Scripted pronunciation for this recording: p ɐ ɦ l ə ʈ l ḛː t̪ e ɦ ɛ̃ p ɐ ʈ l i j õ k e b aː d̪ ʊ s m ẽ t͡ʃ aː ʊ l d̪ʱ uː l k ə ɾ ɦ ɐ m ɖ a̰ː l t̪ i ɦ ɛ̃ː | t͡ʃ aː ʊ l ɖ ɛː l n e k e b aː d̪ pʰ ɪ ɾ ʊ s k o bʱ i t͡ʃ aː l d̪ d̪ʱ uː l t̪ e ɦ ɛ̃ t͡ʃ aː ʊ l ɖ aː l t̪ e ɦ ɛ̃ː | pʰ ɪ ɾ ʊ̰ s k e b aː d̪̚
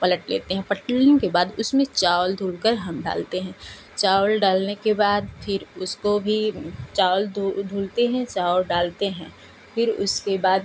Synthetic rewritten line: p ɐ l ə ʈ l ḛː t̪ e ɦ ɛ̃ p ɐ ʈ l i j õ k e b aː d̪ ʊ s m ẽ t͡ʃ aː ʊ l d̪ʱ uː l k ə ɾ ɦ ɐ m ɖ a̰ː l t̪ e ɦ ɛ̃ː | t͡ʃ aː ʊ l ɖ aː l n e k e b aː d̪ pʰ ɪ ɾ ʊ s k o bʱ i t͡ʃ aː l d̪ d̪ʱ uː l t̪ e ɦ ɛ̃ t͡ʃ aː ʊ l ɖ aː l t̪ e ɦ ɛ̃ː | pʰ ɪ ɾ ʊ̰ s k e b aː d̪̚